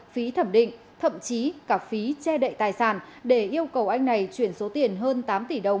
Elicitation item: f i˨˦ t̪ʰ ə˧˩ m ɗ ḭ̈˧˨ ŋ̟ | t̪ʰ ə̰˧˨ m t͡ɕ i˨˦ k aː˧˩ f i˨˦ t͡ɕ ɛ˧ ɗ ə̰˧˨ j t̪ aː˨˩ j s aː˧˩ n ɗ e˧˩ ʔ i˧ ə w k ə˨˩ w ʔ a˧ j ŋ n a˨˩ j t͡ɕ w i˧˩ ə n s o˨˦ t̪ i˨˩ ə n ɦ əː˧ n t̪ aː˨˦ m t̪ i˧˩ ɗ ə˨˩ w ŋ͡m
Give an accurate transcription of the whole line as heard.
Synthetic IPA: f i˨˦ t̪ʰ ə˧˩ m ɗ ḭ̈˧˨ ŋ̟ | t̪ʰ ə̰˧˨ m t͡ɕ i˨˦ k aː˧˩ f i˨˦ t͡ɕ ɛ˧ ɗ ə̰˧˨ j t̪ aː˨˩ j s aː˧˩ n ɗ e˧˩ ʔ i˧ ə w k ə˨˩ w ʔ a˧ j ŋ n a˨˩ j t͡ɕ w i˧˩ ə n s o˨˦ t̪ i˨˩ ə n ɦ əː˧ n t̪ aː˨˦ m t̪ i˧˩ ɗ ə˨˩ w ŋ͡m

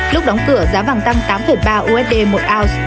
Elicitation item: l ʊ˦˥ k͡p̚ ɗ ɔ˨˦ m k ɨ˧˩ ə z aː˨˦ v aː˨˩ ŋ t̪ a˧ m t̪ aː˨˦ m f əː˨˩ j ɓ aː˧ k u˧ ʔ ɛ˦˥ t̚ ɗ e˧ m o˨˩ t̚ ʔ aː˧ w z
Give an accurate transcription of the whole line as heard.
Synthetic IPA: l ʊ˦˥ k͡p̚ ɗ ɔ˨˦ ŋ͡m k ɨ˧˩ ə z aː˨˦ v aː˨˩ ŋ t̪ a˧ ŋ t̪ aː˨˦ m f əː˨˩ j ɓ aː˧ ʔ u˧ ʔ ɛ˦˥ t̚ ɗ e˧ m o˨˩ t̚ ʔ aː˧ w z

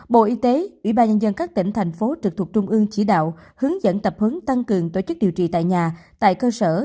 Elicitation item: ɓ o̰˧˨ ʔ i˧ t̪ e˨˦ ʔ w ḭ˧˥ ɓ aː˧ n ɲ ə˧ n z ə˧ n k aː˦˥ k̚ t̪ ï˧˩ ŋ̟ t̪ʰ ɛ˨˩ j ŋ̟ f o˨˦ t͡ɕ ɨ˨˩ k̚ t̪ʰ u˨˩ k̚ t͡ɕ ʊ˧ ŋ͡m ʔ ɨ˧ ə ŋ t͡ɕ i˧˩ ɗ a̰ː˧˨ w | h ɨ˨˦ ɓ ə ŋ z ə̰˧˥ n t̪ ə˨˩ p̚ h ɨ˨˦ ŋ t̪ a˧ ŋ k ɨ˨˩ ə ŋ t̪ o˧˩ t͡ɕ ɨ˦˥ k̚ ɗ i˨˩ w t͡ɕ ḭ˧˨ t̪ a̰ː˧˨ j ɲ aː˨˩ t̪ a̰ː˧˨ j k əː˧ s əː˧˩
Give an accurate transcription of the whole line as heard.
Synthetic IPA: ɓ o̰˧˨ ʔ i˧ t̪ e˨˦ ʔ w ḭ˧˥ ɓ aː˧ n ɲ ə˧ n z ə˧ n k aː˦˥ k̚ t̪ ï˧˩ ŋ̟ t̪ʰ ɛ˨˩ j ŋ̟ f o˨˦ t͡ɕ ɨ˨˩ k̚ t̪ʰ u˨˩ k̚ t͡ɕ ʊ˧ ŋ͡m ʔ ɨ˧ ə ŋ t͡ɕ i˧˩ ɗ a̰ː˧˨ w | h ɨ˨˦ ə ŋ z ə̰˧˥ n t̪ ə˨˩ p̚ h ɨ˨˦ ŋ t̪ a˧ ŋ k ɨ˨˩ ə ŋ t̪ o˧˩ t͡ɕ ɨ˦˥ k̚ ɗ i˨˩ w t͡ɕ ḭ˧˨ t̪ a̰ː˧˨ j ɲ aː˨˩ t̪ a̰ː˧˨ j k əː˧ s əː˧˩

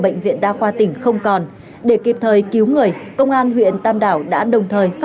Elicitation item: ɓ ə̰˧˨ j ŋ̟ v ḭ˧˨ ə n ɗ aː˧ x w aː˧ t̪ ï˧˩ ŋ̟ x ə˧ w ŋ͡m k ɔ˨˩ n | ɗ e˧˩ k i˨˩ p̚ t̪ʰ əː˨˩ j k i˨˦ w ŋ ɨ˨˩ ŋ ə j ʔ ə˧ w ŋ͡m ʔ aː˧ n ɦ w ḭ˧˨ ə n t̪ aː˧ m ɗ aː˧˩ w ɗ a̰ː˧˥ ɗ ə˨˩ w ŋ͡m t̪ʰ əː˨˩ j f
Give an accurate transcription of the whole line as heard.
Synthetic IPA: ɓ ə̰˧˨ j ŋ̟ v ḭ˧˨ ə n ɗ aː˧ x w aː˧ t̪ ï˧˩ ŋ̟ x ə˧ w ŋ͡m k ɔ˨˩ n | ɗ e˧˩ k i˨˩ p̚ t̪ʰ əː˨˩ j k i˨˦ w ŋ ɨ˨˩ ə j k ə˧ w ŋ͡m ʔ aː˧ n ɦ w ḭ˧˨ ə n t̪ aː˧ m ɗ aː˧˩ w ɗ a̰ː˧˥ ɗ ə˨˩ w ŋ͡m t̪ʰ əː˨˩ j f

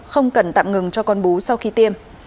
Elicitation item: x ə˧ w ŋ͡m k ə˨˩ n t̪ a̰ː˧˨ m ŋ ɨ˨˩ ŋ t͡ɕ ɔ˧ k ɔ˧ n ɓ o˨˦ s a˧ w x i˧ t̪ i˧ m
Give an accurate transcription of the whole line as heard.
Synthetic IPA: x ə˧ w ŋ͡m k ə˨˩ n t̪ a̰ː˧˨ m ŋ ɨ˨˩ ŋ t͡ɕ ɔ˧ k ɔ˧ n ɓ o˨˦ s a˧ w x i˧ t̪ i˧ m

